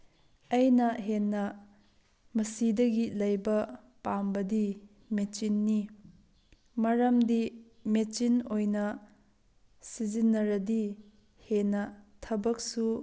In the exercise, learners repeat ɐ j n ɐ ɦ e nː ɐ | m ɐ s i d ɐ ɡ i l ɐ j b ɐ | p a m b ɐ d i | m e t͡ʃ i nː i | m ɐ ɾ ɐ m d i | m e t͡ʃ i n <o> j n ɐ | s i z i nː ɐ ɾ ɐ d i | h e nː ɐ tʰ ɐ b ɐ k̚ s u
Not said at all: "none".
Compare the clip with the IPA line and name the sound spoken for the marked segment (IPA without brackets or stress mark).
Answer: o